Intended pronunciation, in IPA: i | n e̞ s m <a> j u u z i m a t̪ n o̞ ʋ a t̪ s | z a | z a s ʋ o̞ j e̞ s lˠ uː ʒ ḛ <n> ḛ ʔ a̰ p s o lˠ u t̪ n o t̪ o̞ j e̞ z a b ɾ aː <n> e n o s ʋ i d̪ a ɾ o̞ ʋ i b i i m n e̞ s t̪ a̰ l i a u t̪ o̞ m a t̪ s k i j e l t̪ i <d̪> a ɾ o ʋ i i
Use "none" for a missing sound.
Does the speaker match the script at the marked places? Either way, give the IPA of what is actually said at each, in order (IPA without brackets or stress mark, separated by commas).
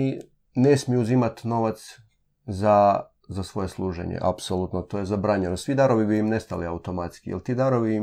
i, ɲ, ɲ, d̪